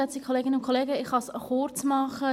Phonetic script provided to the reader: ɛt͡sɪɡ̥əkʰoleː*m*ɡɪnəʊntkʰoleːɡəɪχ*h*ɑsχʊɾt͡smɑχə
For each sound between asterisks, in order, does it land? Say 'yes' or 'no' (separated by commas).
no, yes